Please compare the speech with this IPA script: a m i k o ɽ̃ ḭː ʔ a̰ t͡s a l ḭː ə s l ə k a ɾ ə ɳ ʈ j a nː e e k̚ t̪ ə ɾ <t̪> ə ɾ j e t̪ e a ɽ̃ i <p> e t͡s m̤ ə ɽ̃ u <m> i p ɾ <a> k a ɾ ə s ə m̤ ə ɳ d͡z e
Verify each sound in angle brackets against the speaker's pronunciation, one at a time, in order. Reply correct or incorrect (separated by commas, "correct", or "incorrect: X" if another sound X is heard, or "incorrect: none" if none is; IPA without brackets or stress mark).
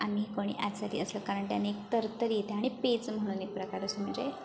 correct, correct, incorrect: n, incorrect: ə